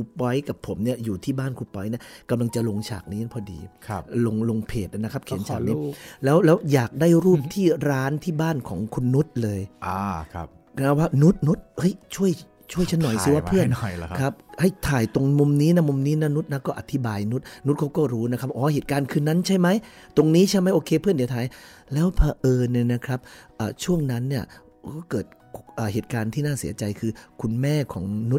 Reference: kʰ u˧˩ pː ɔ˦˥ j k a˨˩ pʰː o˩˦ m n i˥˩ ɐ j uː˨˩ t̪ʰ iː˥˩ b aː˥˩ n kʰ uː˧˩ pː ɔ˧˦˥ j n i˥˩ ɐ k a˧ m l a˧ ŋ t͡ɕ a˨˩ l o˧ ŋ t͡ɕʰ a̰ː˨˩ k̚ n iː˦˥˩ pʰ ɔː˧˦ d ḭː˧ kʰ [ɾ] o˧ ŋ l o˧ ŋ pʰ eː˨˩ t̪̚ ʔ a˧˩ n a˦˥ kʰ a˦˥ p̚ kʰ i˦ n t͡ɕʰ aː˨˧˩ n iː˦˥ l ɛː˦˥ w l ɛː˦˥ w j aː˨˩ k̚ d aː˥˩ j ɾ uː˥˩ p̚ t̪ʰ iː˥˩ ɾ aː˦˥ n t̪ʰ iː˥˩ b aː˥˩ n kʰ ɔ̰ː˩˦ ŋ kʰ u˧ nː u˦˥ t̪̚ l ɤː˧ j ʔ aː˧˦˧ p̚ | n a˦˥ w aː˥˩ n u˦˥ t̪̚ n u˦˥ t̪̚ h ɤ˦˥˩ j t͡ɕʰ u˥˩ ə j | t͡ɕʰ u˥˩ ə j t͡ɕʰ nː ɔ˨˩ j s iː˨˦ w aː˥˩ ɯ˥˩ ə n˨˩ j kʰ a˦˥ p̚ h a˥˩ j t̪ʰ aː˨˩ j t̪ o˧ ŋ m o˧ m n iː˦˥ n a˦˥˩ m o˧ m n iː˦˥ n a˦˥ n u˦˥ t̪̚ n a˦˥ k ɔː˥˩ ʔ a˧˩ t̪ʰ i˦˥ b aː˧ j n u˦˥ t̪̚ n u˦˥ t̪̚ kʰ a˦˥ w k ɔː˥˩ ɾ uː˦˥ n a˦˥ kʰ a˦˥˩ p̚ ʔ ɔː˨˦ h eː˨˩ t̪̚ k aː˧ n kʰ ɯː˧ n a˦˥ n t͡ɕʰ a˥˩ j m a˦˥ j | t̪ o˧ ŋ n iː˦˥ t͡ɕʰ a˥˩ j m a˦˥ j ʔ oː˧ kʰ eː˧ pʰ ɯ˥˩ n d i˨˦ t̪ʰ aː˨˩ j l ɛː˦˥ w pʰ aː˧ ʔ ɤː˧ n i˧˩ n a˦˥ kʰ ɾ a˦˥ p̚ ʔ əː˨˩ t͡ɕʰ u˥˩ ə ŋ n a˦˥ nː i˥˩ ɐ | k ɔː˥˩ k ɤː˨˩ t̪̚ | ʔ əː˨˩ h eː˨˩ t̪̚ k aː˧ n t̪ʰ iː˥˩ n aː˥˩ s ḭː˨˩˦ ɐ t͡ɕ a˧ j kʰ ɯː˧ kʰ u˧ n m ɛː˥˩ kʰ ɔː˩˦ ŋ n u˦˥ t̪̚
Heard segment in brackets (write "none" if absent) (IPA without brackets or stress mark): l